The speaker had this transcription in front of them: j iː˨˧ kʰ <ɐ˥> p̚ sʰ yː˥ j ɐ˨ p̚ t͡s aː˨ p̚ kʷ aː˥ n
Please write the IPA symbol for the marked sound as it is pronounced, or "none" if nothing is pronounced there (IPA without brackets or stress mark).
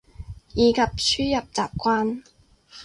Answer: ɐ˨